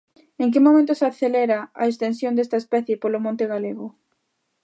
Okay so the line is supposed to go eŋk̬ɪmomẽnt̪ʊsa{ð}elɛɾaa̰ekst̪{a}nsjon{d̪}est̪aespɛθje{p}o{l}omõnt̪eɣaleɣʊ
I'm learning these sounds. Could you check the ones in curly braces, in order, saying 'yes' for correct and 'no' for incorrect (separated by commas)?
no, no, yes, yes, yes